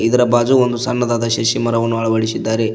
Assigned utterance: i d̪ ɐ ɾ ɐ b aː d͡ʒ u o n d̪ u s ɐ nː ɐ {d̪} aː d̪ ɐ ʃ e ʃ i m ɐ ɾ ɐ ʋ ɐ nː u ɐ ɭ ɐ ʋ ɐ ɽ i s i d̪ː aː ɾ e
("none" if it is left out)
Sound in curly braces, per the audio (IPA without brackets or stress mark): d̪